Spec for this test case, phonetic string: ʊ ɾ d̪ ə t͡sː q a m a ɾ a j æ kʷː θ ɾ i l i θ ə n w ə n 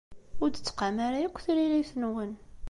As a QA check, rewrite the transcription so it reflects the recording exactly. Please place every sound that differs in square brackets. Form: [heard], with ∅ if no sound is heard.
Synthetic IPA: ʊ ɾ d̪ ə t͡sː q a m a ɾ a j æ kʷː θ ɾ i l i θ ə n w ə n